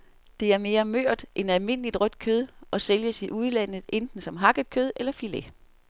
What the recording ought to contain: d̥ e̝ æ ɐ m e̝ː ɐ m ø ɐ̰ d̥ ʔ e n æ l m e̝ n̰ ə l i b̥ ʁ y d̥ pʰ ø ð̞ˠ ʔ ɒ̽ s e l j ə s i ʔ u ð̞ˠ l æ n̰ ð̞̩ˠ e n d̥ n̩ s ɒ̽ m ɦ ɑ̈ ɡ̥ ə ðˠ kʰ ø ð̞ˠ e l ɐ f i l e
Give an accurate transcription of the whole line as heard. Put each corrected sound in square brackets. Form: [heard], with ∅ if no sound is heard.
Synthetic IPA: d̥ e̝ æ ɐ m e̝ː ɐ m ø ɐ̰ d̥ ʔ e n æ l m e̝ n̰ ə l i [d̥] ʁ [œ] d̥ [kʰ] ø ð̞ˠ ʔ ɒ̽ s e l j ə s i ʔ u ð̞ˠ l æ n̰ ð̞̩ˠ e n d̥ n̩ s ɒ̽ m ɦ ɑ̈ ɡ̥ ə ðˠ kʰ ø ð̞ˠ e l ɐ f i l e